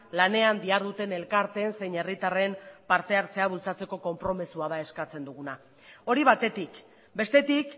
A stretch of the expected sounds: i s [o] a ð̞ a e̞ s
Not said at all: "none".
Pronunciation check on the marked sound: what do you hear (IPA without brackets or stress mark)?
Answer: u